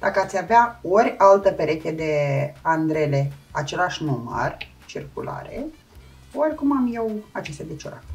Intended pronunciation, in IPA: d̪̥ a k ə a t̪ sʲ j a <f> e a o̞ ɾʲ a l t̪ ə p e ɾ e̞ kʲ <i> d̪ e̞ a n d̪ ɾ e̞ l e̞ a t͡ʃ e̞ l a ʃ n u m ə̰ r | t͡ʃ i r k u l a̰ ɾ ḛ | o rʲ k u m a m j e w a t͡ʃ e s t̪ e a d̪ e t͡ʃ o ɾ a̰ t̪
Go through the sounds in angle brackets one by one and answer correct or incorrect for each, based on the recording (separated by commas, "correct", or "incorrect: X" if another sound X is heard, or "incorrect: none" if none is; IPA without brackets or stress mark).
incorrect: v, incorrect: e